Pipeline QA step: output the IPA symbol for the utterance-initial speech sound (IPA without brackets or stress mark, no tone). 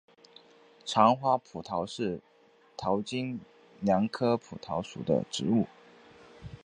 ʈ͡ʂʰ